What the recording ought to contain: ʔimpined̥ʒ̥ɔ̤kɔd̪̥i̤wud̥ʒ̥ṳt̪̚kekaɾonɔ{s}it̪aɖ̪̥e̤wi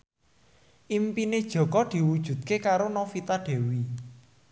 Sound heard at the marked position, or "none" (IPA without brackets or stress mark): f